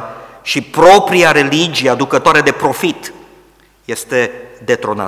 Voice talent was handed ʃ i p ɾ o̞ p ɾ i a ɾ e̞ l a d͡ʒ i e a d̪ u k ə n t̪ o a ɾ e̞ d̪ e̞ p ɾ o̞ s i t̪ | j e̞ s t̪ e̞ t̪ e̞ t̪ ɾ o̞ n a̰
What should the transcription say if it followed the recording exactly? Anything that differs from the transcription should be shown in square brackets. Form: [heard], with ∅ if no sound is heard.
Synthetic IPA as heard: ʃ i p ɾ o̞ p ɾ i a ɾ e̞ l [i] d͡ʒ i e a d̪ u k ə [∅] t̪ o a ɾ e̞ d̪ e̞ p ɾ o̞ [f] i t̪ | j e̞ s t̪ e̞ [d̪] e̞ t̪ ɾ o̞ n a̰